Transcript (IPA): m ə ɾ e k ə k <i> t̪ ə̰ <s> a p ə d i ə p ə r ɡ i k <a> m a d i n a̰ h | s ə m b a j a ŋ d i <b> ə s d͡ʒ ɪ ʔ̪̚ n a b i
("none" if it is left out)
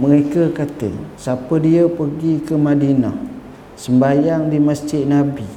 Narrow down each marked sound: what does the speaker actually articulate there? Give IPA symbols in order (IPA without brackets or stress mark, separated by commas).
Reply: a, s, ə, m